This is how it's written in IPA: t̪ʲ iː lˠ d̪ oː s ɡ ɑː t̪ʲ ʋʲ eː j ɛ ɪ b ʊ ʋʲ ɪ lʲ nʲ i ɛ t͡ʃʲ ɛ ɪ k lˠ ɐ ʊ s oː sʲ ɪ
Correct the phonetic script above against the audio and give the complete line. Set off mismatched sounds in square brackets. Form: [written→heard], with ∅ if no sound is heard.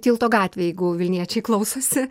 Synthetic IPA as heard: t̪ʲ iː lˠ [d̪→t̪] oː [s→∅] ɡ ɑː t̪ʲ ʋʲ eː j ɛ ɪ [b→ɡ] ʊ ʋʲ ɪ lʲ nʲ i ɛ t͡ʃʲ ɛ ɪ k lˠ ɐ ʊ s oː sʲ ɪ